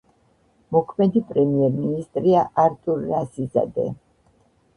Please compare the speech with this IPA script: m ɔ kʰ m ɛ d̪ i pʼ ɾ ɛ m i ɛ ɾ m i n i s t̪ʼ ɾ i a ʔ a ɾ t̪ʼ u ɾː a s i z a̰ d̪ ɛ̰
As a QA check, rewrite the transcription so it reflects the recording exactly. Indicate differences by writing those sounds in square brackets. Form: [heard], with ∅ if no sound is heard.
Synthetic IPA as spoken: m ɔ kʰ m ɛ d̪ i pʼ ɾ ɛ m i ɛ ɾ m i n i s t̪ʼ ɾ i a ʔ a ɾ t̪ʼ u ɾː a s i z a̰ d̪ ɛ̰